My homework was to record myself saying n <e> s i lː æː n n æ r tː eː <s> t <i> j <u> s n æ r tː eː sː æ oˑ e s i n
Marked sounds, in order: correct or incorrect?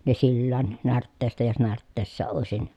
correct, correct, incorrect, incorrect

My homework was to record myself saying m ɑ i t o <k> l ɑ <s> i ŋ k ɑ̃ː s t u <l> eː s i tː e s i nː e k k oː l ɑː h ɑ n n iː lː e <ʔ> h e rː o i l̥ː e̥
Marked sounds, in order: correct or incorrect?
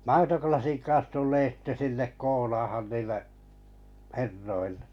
correct, correct, incorrect, correct

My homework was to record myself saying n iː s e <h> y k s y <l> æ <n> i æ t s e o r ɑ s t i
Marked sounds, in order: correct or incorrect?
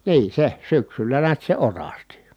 incorrect, incorrect, correct

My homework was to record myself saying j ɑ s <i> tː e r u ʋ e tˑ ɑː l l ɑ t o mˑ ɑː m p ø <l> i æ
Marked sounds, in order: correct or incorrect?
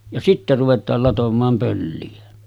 correct, incorrect

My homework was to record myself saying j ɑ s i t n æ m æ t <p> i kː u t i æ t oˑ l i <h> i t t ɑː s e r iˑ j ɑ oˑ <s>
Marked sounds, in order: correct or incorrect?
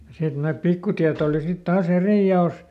correct, incorrect, correct

